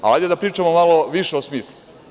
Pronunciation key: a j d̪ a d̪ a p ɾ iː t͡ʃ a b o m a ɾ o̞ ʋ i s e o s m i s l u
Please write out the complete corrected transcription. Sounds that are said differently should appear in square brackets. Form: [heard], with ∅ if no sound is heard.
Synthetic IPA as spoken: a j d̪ [e] d̪ a p ɾ iː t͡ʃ a [m] o m a [l] o̞ ʋ i [ʃ] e o s m [iː] s l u

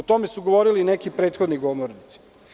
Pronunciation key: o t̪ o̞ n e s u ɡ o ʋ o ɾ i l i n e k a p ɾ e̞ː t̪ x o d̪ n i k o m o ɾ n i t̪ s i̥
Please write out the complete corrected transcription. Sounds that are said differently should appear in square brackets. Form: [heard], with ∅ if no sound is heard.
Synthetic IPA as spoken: o t̪ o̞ [m] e s u ɡ o ʋ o ɾ i l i n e k [i] p ɾ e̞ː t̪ x o d̪ n i [ɡ] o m o ɾ n i t̪ s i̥

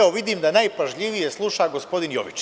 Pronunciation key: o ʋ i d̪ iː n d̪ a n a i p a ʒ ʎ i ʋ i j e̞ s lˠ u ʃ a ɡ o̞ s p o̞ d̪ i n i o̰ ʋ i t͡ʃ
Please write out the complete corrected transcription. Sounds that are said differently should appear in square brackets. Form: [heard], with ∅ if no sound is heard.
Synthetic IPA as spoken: o ʋ i d̪ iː [m] d̪ a n a [j] p a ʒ ʎ i ʋ i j e̞ s lˠ u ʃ a ɡ o̞ s p o̞ d̪ i n [j] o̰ ʋ i t͡ʃ

